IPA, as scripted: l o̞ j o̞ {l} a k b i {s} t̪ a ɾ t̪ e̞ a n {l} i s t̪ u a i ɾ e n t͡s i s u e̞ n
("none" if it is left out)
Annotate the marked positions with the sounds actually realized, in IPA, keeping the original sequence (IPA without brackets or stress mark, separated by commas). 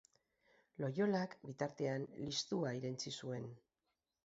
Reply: l, none, l